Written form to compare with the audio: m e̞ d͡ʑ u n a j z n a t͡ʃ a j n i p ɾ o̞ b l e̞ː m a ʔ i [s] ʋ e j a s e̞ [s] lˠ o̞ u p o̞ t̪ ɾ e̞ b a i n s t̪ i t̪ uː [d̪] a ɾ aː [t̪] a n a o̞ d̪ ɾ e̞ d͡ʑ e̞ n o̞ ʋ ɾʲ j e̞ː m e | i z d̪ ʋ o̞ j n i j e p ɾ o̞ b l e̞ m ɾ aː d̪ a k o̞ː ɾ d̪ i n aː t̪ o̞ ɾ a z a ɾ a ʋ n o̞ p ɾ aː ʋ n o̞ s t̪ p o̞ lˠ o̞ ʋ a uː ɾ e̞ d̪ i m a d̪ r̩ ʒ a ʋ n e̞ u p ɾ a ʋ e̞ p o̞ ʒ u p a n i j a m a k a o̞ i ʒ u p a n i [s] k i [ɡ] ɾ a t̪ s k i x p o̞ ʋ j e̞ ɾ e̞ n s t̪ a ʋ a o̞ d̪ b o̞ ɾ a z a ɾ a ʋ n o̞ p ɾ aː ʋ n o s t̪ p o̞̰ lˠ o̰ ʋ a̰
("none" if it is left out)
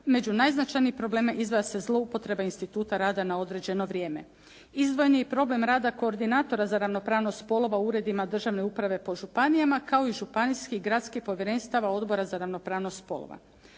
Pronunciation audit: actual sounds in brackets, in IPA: z, z, t̪, d̪, s, ɡ

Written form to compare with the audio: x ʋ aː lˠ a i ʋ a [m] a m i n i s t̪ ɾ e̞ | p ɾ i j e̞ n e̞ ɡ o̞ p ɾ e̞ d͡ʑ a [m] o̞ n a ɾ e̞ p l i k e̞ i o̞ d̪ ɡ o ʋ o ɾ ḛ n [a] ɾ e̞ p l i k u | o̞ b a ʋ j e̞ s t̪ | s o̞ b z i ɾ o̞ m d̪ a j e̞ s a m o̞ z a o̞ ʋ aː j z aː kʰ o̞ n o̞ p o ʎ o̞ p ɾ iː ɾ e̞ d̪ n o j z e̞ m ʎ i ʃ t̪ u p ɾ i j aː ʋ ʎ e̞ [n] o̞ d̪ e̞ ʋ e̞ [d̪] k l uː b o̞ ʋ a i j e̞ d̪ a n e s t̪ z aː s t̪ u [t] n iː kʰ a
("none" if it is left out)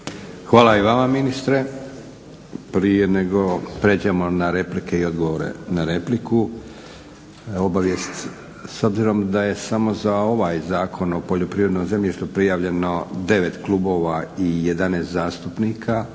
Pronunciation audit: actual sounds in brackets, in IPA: m, m, a, n, t̪, p

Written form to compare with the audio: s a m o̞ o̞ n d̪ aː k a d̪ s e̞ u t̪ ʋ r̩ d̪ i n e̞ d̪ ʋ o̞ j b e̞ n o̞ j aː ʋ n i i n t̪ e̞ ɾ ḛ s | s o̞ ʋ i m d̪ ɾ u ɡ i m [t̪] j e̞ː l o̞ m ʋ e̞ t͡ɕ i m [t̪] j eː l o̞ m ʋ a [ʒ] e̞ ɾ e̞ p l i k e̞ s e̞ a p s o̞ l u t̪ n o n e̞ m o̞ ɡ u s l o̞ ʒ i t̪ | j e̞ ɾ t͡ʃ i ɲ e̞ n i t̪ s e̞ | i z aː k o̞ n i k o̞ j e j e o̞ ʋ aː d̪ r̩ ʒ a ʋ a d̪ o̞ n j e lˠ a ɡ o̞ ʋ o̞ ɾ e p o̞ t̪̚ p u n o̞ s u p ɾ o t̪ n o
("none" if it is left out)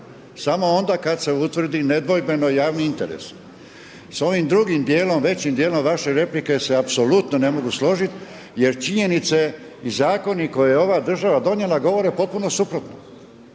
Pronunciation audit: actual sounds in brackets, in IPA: d̪, d̪, ʃ

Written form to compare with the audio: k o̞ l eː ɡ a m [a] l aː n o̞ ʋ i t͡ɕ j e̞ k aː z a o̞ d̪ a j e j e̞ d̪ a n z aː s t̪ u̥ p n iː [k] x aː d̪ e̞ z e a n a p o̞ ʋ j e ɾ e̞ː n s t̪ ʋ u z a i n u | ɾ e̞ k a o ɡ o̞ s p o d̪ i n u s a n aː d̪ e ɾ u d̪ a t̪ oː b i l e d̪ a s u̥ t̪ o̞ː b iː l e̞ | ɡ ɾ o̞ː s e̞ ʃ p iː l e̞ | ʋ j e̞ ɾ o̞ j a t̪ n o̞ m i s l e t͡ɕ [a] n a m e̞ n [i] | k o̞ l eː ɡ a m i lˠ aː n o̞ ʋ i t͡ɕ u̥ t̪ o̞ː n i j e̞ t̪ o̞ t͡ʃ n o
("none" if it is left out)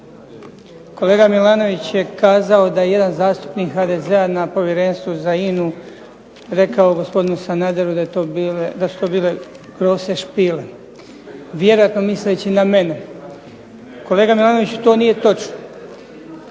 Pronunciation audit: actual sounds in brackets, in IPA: i, k, i, e

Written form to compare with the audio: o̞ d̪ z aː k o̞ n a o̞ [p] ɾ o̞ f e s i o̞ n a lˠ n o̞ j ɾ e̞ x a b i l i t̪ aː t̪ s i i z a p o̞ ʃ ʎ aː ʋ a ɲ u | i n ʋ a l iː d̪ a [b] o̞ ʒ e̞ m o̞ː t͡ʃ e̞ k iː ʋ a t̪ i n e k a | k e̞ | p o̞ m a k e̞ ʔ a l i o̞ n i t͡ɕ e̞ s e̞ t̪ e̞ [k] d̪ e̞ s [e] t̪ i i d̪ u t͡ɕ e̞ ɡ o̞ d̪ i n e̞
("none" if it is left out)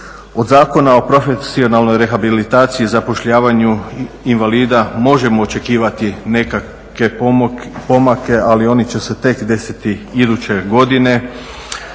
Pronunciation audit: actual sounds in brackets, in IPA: p, m, k, i

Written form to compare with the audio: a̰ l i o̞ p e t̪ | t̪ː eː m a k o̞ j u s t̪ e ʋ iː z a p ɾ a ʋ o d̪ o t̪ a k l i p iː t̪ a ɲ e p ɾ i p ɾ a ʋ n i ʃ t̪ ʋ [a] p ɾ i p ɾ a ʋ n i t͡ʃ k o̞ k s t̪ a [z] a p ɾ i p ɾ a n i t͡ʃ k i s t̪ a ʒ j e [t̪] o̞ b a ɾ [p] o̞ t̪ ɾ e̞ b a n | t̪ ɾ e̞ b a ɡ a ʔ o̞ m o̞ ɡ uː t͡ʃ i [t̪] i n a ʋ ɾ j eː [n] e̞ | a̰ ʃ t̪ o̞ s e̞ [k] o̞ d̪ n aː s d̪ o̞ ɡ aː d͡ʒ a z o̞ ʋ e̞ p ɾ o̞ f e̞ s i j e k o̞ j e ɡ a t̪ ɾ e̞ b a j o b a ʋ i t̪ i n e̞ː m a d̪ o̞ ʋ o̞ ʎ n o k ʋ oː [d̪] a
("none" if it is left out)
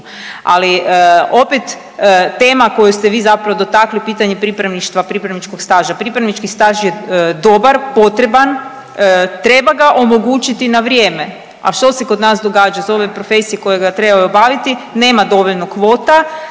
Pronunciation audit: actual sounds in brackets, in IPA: a, ʒ, d̪, p, t̪, m, k, t̪

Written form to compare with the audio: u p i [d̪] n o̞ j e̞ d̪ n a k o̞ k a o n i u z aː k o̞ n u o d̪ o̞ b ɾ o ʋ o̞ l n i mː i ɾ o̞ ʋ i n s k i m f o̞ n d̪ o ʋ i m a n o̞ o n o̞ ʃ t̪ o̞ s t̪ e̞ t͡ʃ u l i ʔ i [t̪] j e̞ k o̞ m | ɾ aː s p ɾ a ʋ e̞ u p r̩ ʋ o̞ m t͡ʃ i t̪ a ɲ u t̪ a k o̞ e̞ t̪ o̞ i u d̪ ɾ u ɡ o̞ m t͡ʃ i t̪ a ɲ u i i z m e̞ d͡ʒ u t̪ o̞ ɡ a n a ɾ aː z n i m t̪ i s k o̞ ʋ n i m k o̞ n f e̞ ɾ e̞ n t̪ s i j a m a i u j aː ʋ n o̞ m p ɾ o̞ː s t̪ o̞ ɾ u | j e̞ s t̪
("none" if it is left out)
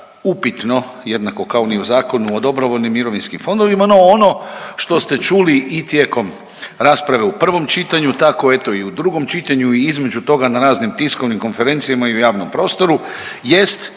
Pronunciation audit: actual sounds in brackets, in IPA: t̪, t̪

